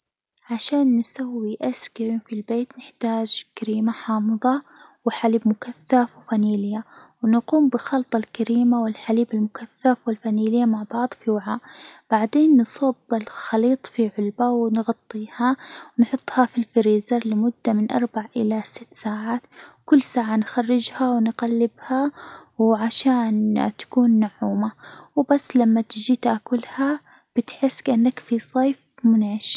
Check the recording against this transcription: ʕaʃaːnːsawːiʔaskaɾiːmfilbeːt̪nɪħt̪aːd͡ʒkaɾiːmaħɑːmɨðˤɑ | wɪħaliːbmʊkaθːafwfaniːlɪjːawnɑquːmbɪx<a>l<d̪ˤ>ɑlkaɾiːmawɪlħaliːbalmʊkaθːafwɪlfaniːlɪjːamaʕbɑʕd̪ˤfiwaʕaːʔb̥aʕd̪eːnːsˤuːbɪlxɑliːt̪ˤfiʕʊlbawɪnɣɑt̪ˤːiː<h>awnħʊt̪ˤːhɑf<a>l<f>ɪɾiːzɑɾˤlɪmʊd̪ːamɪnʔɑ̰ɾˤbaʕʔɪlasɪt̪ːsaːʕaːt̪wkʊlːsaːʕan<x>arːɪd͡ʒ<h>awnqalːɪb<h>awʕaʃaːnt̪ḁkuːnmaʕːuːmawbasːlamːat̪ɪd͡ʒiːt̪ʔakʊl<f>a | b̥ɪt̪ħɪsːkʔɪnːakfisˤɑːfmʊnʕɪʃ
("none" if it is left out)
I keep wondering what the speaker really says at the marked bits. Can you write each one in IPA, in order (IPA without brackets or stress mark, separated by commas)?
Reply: ɑ, t̪ˤ, h, i, f, x, h, h, h